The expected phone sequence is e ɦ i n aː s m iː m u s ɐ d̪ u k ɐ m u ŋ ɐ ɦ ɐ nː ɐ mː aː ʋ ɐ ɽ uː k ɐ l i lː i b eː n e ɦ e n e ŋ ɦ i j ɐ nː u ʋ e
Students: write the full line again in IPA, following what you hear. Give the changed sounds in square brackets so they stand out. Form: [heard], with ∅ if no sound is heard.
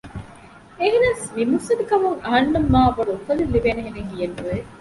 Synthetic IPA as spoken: e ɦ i n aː s m [i] m u s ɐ d̪ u k ɐ m u ŋ ɐ ɦ ɐ nː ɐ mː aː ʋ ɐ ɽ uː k ɐ l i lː i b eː n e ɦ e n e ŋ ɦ i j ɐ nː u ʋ e